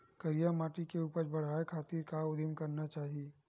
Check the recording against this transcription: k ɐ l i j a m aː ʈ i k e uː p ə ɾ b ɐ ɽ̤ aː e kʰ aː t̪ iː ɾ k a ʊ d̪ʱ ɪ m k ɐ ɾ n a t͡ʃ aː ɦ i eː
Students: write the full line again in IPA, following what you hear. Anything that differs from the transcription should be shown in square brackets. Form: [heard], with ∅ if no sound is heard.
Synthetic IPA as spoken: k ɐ [ɾ] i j a m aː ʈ i k e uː p ə ɾ b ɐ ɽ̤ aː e kʰ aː t̪ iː ɾ k a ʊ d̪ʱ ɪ m k ɐ ɾ n a t͡ʃ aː ɦ i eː